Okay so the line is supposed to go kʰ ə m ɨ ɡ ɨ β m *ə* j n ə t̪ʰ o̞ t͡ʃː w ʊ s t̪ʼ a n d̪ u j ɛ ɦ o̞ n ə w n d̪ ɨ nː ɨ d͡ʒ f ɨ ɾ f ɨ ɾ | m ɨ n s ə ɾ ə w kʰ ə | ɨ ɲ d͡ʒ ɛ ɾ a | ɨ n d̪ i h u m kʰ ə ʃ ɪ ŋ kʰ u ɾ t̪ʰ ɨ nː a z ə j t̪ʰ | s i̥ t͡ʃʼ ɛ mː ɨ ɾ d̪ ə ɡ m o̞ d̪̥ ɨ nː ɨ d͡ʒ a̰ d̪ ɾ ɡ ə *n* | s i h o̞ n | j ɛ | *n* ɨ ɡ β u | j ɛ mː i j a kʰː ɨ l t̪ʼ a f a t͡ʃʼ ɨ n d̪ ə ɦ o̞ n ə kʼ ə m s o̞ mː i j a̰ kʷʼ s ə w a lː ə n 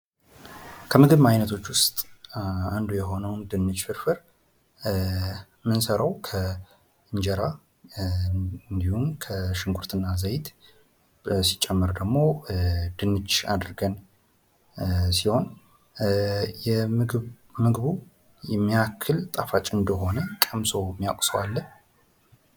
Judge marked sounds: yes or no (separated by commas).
no, yes, no